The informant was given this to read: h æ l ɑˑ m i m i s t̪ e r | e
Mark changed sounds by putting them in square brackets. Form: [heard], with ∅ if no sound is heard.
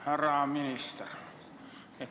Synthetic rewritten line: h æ [r] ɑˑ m i [n] i s t̪ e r | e